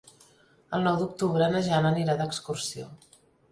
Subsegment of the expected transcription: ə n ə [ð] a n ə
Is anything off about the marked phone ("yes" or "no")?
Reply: yes